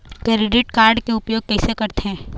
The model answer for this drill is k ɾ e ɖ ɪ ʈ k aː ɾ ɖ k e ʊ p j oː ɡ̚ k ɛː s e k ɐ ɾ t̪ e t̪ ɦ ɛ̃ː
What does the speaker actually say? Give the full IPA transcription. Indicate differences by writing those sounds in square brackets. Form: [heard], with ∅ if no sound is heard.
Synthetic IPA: k ɾ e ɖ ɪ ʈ k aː ɾ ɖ k e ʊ p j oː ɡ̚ k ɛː s e k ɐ ɾ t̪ e [∅] ɦ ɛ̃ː